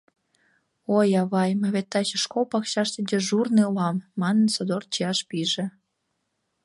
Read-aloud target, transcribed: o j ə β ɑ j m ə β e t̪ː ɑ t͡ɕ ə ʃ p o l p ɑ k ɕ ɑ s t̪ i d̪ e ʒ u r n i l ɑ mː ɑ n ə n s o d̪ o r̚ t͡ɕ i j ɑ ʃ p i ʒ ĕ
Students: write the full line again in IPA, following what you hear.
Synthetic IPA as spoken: o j ɑ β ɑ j m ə β e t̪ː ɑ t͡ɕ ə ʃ k o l p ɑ k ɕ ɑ ʃ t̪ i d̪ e ʒ u r n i l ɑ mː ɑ n ə n s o d̪ o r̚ t͡ɕ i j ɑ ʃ p i ʒ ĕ